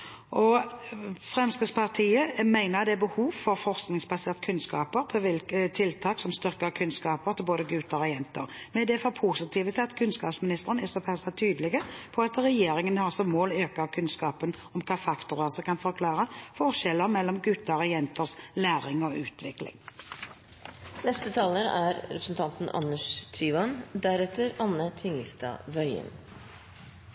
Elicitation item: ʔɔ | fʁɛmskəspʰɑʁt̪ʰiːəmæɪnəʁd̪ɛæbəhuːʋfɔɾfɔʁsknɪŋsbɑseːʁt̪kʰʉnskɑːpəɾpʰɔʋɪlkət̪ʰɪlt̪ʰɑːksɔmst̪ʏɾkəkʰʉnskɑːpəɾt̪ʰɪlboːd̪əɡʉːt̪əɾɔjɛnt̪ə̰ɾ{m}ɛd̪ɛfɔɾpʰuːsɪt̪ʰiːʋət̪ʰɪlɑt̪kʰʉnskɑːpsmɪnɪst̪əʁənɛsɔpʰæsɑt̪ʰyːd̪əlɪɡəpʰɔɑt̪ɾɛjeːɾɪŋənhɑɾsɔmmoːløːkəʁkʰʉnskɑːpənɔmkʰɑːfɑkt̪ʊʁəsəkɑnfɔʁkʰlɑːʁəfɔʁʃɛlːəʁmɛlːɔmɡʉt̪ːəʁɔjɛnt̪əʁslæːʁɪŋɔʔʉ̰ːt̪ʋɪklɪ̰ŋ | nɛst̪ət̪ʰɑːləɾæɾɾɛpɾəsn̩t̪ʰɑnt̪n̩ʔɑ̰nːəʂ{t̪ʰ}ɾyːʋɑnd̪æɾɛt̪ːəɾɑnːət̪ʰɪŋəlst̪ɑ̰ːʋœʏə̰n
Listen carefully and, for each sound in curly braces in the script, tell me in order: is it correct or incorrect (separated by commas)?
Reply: correct, correct